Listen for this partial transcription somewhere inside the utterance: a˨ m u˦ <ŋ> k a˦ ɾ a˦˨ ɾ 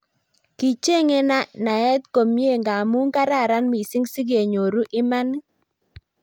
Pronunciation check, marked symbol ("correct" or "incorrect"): correct